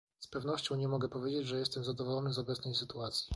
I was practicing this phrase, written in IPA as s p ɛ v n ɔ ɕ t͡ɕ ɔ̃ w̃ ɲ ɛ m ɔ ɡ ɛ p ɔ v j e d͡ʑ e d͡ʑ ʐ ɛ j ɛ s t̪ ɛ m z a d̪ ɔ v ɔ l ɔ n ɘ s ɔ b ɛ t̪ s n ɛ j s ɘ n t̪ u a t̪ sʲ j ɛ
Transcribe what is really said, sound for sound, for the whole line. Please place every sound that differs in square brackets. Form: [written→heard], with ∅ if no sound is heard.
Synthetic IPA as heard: s p ɛ v n ɔ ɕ t͡ɕ ɔ̃ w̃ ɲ ɛ m ɔ ɡ ɛ p ɔ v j e d͡ʑ e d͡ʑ ʐ ɛ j ɛ s t̪ ɛ m z a d̪ ɔ v ɔ l ɔ n ɘ [s→z] ɔ b ɛ t̪ s n ɛ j s ɘ [n→∅] t̪ u a t̪ sʲ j [ɛ→i]